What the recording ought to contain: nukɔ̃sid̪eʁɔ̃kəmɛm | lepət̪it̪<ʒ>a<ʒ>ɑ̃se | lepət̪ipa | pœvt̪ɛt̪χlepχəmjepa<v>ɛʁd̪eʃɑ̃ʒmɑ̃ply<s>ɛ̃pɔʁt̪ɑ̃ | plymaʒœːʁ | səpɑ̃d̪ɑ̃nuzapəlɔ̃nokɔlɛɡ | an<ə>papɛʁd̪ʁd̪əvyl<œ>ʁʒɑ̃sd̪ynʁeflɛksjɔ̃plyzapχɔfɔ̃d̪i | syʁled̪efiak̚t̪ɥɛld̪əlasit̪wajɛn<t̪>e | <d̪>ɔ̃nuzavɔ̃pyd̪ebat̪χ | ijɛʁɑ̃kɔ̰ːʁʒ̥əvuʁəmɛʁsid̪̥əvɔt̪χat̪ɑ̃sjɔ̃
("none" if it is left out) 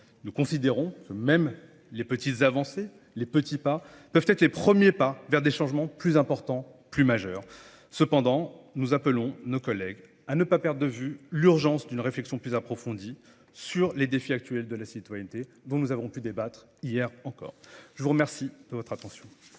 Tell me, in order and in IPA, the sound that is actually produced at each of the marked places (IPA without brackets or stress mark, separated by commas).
z, v, v, z, ə, y, t̪, d̪